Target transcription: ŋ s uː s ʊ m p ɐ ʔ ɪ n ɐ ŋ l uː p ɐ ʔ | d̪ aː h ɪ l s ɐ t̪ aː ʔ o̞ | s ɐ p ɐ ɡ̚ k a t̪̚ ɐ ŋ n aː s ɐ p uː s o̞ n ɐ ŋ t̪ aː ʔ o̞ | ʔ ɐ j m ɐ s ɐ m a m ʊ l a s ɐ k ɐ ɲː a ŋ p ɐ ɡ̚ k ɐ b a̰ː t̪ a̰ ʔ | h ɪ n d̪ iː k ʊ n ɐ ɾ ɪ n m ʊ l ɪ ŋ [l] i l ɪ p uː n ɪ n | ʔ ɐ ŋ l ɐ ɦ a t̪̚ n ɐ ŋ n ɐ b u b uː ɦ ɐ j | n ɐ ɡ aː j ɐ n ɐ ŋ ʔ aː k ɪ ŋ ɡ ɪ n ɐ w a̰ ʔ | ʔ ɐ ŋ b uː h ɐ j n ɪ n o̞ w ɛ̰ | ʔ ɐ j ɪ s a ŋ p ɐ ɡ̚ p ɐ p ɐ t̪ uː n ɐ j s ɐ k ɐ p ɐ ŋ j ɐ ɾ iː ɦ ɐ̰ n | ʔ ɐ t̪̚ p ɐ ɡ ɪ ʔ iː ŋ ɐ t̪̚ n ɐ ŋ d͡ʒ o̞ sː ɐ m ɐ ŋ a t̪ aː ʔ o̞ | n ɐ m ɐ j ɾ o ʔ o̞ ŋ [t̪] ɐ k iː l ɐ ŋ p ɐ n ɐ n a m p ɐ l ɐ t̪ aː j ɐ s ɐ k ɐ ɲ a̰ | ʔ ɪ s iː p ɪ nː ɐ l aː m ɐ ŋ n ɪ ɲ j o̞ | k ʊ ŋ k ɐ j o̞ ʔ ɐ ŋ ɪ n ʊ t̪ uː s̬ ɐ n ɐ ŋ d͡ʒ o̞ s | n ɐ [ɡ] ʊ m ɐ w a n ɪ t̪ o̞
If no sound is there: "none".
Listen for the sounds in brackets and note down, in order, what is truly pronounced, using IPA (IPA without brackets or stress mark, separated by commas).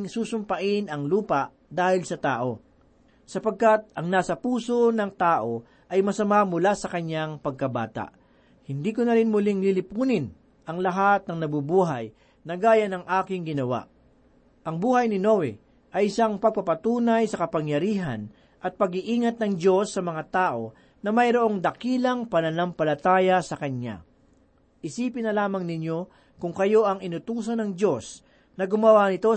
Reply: l, d̪, ɡ